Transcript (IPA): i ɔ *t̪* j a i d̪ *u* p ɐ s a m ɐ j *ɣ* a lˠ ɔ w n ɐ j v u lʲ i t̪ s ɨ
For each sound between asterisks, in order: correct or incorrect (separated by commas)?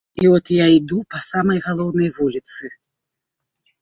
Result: correct, correct, correct